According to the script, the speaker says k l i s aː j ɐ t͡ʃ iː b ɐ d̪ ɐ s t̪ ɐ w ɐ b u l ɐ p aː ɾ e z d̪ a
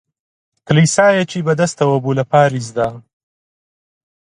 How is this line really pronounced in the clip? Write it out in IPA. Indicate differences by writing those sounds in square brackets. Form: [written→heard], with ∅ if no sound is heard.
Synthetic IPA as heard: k l i s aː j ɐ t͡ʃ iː b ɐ d̪ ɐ s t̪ ɐ w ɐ b u l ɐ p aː ɾ [e→i] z d̪ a